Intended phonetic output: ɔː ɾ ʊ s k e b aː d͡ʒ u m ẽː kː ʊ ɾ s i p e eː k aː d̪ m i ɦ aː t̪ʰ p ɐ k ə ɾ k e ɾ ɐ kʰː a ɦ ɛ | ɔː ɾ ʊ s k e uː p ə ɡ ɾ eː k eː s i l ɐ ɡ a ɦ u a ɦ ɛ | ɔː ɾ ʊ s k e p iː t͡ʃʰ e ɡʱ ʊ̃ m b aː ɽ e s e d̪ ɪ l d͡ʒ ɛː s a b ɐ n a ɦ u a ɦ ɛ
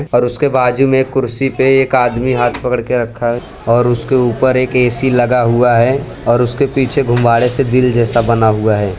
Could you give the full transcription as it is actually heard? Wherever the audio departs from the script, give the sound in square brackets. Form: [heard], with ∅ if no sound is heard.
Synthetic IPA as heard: ɔː ɾ ʊ s k e b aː d͡ʒ u m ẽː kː ʊ ɾ s i p e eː k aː d̪ m i ɦ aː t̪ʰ p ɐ k ə [ɽ] k e ɾ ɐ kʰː a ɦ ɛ | ɔː ɾ ʊ s k e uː p ə [∅] ɾ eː k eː s i l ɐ ɡ a ɦ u a ɦ ɛ | ɔː ɾ ʊ s k e p iː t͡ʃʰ e ɡʱ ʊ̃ m b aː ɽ e s e d̪ ɪ l d͡ʒ ɛː s a b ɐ n a ɦ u a ɦ [ɛː]